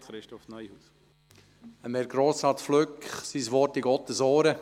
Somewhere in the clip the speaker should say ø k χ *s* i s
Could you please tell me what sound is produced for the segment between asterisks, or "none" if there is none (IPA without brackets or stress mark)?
s